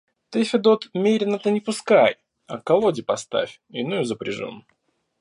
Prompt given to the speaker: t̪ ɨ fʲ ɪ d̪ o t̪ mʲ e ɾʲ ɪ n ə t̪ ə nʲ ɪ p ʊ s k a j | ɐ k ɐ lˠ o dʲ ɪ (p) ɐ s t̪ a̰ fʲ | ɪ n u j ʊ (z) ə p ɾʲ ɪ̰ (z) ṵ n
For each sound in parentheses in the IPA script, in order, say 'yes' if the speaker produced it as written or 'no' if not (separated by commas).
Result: yes, yes, no